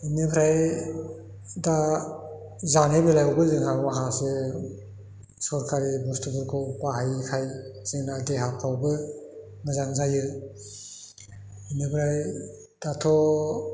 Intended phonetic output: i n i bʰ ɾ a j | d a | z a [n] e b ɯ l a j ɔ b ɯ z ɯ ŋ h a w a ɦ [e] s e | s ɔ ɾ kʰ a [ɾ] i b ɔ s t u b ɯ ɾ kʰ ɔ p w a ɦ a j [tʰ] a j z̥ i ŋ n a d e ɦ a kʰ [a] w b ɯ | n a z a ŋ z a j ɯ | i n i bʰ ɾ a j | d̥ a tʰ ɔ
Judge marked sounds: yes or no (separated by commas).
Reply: yes, no, yes, no, yes